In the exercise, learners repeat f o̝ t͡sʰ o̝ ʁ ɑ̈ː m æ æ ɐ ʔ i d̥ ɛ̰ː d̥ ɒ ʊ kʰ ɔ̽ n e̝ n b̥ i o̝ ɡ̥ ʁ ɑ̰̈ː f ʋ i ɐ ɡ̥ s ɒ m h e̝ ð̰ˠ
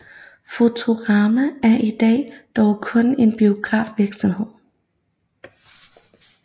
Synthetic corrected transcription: f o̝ t͡sʰ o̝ ʁ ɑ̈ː m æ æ ɐ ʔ i d̥ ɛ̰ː d̥ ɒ ʊ kʰ ɔ̽ n e̝ n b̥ i o̝ ɡ̥ ʁ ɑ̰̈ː f ʋ i ɐ ɡ̥ s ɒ m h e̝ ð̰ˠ